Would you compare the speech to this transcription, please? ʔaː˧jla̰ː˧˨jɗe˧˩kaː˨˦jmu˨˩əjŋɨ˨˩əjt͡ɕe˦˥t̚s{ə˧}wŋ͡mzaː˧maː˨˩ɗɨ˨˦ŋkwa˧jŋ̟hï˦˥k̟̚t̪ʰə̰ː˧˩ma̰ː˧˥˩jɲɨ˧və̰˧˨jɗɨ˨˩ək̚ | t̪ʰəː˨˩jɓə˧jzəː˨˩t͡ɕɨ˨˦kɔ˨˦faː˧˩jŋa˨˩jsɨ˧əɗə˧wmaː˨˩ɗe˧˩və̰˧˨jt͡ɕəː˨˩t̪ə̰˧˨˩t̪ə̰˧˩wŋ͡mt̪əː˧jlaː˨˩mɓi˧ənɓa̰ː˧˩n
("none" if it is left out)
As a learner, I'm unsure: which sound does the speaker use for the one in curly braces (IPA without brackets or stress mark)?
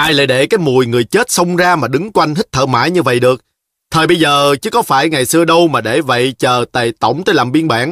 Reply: ə˧